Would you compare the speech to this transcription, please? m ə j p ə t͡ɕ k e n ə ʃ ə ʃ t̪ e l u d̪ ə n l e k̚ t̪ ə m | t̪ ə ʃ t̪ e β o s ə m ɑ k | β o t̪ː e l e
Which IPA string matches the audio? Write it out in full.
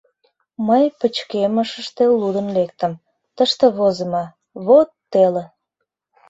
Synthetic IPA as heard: m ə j p ə t͡ɕ k e m ə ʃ ə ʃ t̪ e l u d̪ ə n l e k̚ t̪ ə m | t̪ ə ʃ t̪ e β o z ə m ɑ | β o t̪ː e l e